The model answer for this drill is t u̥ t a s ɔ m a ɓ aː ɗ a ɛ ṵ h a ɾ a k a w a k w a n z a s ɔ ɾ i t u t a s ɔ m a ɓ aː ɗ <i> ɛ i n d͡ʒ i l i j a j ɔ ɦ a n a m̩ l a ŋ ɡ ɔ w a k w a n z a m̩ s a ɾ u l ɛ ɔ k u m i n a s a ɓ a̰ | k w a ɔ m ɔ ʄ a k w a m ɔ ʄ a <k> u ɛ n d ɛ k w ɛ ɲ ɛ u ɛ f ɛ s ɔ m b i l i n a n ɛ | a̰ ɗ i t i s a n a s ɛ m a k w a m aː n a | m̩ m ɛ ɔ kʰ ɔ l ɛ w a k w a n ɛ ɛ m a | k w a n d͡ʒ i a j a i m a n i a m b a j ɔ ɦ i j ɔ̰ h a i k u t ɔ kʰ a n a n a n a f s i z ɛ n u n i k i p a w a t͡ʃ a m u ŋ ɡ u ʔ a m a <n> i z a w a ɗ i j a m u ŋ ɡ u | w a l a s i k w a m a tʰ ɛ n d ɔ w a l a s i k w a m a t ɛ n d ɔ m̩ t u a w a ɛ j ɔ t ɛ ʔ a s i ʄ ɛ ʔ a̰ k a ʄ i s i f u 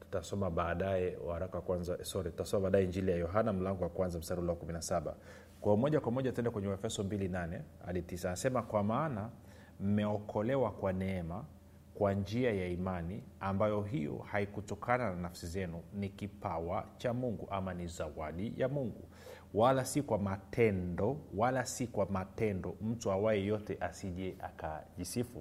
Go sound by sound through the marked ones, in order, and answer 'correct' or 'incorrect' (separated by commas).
incorrect, incorrect, correct